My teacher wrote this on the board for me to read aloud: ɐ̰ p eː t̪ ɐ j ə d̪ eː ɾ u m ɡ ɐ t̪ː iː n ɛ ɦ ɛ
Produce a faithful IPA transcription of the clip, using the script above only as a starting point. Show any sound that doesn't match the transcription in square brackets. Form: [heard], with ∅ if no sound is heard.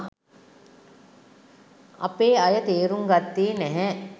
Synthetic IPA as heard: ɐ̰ p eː [∅] ɐ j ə [t̪] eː ɾ u [ŋ] ɡ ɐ t̪ː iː n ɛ ɦ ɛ

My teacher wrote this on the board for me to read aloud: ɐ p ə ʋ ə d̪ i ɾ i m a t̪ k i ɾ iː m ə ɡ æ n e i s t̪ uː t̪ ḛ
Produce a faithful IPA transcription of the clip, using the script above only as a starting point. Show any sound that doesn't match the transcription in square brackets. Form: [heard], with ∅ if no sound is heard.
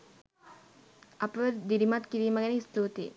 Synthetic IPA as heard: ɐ p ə ʋ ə d̪ i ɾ i m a t̪ k i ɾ iː m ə ɡ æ n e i s t̪ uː t̪ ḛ

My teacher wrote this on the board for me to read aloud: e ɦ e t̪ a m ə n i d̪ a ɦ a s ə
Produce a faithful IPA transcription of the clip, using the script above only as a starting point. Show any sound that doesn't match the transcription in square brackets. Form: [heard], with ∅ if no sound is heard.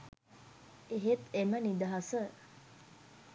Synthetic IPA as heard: e ɦ e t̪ [e] m ə n i d̪ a ɦ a s ə

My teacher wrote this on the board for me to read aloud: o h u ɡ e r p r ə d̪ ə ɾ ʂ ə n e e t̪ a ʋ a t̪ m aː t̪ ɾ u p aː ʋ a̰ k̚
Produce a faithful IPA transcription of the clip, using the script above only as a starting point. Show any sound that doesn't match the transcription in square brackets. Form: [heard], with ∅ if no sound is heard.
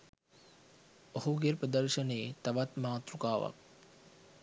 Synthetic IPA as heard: o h u ɡ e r p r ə d̪ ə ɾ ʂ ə n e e t̪ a ʋ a t̪ m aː t̪ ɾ u [k] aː ʋ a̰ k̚

